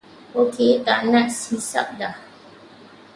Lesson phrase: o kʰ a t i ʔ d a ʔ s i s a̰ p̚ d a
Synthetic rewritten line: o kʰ e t a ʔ n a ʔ s i s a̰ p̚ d a